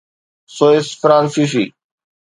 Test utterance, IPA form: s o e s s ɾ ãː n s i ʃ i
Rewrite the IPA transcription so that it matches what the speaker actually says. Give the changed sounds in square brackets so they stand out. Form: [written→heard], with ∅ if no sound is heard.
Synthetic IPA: s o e s [s→f] ɾ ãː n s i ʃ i